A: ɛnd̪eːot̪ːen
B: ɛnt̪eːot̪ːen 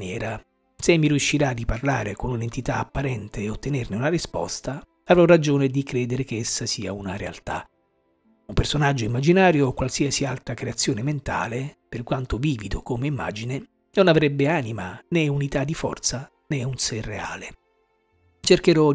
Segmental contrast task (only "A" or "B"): B